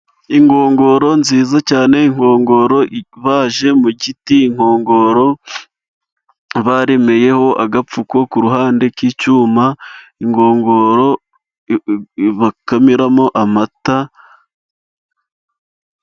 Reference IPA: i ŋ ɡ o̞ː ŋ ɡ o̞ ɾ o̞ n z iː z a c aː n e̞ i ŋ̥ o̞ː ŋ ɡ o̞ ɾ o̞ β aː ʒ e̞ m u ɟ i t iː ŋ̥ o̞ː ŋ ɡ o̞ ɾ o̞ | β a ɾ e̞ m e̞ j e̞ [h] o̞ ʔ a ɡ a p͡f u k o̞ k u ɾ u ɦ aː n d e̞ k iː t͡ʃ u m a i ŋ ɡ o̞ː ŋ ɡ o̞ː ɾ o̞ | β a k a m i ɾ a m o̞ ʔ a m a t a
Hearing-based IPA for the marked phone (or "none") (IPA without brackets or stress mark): h